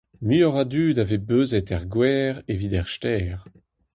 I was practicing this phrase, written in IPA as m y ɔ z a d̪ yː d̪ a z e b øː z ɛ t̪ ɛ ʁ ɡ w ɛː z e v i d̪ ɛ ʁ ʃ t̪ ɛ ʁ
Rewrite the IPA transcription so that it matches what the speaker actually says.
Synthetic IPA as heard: m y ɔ ʁ a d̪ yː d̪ a v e b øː z ɛ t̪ ɛ ʁ ɡ w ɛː ʁ e v i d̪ ɛ ʁ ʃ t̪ ɛː ʁ